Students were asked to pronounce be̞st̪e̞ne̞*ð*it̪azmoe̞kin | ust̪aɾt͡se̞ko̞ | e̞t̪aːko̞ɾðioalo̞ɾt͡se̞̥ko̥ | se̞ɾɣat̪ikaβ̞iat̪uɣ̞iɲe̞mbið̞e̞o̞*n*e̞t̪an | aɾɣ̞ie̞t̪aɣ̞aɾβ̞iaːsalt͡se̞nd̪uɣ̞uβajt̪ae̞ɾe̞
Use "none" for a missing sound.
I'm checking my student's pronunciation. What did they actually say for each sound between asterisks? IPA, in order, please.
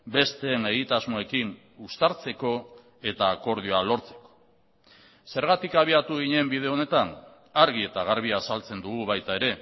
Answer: ɣ, n

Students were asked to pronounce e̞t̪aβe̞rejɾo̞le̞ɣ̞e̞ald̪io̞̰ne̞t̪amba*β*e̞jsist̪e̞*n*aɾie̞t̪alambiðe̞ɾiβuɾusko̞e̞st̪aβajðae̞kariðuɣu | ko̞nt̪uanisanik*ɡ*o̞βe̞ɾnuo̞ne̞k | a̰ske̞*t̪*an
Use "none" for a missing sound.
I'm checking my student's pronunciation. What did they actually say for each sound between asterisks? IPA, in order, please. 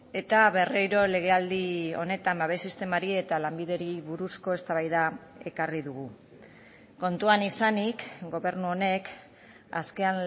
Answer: β, m, ɡ, none

